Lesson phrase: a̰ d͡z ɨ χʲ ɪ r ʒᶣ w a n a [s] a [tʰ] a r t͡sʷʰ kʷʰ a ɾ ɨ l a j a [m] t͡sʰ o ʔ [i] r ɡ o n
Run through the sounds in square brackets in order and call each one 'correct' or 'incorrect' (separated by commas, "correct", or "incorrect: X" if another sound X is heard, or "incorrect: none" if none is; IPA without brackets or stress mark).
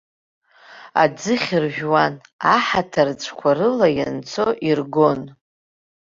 incorrect: ħ, correct, incorrect: n, correct